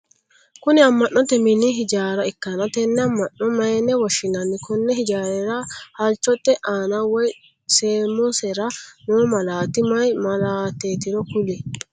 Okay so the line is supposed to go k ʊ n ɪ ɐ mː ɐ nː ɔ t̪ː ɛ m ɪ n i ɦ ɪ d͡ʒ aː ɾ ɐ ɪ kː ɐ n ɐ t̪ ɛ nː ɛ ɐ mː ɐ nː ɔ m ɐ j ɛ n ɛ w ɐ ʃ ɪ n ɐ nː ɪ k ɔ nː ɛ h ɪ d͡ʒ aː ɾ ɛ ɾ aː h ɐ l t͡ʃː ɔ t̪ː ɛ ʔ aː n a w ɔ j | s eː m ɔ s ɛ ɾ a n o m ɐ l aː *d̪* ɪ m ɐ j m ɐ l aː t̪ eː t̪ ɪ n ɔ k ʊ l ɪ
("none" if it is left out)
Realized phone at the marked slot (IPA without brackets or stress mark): t̪